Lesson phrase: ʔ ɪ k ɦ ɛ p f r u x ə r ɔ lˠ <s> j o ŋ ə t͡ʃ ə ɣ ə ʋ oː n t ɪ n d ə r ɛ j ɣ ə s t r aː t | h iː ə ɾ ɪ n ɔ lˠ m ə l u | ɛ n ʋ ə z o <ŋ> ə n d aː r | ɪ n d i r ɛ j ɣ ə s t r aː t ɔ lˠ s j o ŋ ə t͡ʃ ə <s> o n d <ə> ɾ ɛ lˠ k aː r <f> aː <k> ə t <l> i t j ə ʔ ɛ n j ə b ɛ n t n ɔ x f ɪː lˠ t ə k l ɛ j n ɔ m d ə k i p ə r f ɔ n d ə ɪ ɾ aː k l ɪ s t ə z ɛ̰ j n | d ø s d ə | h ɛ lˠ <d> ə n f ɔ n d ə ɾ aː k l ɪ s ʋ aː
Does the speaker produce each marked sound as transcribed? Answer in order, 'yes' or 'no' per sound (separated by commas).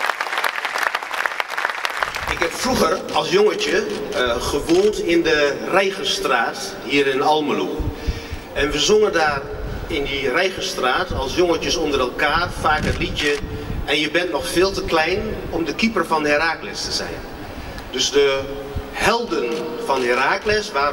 yes, yes, yes, yes, yes, yes, yes, yes